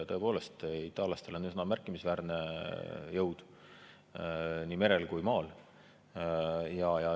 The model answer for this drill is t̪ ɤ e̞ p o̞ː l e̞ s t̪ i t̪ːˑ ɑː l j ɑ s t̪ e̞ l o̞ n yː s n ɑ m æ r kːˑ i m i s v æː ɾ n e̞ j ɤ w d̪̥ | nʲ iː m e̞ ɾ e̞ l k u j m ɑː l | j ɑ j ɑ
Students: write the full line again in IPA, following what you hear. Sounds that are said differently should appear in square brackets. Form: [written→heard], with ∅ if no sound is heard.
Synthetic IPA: t̪ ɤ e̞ p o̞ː l e̞ s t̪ i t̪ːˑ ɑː l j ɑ s t̪ e̞ l o̞ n [yː→y] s n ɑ m æ r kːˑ i m i s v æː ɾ n e̞ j ɤ w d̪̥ | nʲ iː m e̞ ɾ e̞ l k u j m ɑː l | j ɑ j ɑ